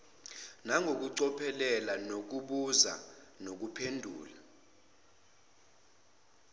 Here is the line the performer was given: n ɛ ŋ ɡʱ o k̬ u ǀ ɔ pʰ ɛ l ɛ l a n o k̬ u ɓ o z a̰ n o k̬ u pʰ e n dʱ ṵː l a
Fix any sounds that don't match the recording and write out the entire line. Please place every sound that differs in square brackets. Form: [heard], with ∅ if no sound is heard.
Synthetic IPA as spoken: n [a] ŋ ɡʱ o k̬ u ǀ ɔ pʰ ɛ l ɛ l a n o k̬ u ɓ [u] z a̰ n o k̬ u pʰ e n dʱ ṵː l a